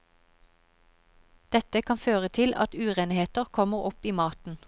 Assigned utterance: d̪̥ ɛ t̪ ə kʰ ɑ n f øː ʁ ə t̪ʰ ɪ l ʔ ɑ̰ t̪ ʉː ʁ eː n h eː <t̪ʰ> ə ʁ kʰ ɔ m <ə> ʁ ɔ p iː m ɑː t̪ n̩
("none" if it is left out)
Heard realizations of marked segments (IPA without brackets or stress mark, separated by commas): t̪, ə